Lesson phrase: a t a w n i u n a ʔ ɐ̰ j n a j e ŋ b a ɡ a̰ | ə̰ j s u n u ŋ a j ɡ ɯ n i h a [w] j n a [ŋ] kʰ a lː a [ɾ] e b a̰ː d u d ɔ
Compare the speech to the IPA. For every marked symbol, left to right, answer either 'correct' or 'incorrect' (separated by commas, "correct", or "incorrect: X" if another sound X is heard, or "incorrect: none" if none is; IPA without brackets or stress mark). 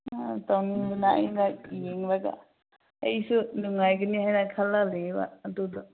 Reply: incorrect: none, incorrect: none, incorrect: l